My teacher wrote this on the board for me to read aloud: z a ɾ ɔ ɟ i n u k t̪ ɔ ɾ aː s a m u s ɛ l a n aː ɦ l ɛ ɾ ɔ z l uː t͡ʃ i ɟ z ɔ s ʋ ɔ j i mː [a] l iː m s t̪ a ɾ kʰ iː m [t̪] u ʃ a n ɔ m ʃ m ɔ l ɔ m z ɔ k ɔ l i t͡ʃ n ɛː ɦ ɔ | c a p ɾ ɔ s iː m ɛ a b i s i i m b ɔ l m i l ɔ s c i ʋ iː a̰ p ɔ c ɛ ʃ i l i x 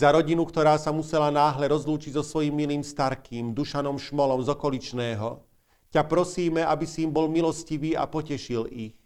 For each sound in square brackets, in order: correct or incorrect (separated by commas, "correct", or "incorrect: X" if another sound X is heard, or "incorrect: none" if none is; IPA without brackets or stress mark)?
incorrect: i, incorrect: d̪